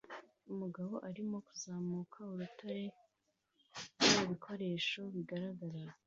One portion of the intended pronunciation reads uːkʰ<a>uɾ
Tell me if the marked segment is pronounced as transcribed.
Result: yes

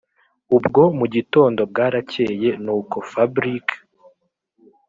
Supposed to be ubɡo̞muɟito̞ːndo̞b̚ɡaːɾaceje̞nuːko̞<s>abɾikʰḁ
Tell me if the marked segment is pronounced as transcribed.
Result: no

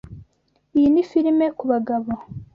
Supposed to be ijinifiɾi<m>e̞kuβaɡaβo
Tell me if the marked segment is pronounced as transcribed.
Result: yes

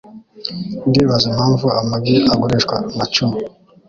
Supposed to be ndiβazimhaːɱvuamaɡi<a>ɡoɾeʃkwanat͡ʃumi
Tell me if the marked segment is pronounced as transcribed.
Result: yes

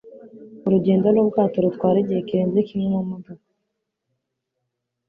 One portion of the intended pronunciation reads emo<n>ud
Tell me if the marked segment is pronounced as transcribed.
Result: no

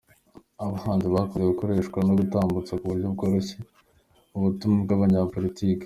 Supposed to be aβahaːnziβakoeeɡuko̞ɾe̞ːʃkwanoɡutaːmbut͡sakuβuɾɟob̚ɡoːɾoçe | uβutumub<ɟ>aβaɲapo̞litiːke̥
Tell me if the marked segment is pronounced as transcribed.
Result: no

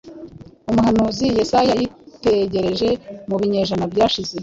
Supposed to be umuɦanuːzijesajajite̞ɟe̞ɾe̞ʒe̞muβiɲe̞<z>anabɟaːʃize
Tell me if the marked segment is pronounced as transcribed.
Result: no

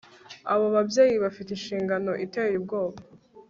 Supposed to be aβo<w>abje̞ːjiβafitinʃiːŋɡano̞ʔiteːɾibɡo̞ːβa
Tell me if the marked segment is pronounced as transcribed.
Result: no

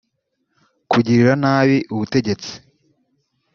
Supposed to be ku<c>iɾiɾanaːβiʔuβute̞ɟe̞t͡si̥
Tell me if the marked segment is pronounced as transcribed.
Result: no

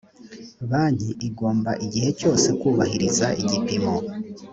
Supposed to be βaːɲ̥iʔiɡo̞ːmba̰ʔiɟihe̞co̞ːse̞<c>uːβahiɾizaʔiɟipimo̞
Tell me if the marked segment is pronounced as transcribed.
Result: no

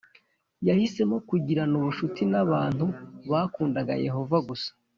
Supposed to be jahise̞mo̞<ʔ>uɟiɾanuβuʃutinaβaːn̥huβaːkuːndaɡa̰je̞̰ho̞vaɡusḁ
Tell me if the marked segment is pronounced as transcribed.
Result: no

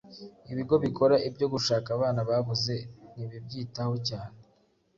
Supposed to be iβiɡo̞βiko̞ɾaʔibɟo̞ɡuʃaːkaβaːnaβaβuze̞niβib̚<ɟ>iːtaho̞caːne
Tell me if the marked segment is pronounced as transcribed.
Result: yes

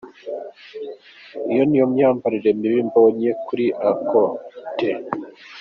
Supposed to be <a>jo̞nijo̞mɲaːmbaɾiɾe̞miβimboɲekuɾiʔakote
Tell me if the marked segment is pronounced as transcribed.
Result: no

